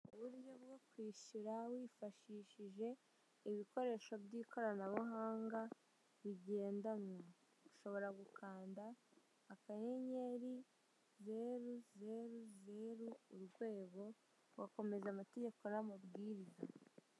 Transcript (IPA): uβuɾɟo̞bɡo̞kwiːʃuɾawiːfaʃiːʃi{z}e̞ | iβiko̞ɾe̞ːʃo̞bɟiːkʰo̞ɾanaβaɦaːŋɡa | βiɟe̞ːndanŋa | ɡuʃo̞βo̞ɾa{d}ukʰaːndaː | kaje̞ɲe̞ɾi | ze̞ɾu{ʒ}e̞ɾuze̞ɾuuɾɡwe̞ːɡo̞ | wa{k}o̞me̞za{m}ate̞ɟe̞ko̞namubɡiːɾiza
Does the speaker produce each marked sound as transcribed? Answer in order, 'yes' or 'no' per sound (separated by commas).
no, no, no, yes, yes